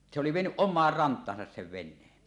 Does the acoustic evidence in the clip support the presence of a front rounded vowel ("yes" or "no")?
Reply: yes